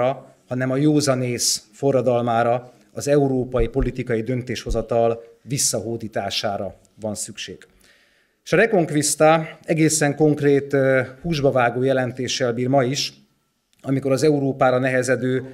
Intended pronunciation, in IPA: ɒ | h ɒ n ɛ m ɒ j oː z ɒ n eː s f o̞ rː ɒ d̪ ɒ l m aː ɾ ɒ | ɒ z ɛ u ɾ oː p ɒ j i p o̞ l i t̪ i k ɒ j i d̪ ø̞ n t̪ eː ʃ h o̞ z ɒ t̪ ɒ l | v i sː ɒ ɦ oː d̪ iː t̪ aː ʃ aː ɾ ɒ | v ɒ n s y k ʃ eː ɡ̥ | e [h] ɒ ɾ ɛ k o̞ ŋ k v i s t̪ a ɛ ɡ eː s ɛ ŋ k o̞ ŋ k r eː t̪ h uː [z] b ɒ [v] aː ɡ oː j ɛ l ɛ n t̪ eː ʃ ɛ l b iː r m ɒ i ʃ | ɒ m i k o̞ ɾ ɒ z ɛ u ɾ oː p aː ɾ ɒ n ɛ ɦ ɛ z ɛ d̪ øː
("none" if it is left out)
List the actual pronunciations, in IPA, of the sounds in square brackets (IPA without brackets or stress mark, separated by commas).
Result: ʃ, ʒ, v